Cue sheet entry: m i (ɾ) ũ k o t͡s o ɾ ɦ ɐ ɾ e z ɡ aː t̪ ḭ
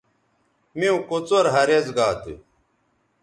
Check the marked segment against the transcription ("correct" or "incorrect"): incorrect